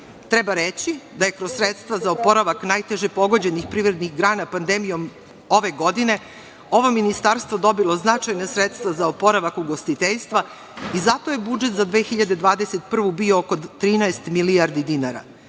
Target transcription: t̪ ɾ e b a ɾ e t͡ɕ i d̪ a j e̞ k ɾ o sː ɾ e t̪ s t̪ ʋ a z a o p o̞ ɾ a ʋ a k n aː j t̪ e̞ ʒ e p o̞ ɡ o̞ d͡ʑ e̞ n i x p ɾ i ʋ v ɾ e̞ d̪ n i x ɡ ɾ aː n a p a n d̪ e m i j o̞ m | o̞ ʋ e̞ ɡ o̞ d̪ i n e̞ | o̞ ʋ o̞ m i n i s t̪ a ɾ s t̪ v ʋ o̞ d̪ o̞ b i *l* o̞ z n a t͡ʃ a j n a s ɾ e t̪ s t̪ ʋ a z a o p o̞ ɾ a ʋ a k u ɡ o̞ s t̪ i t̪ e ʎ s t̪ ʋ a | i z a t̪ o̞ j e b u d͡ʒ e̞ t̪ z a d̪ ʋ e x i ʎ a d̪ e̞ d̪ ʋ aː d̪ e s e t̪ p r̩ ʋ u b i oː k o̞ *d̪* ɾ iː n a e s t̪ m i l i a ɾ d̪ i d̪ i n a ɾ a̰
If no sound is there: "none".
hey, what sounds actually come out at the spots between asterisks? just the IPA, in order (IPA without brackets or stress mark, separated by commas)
l, t̪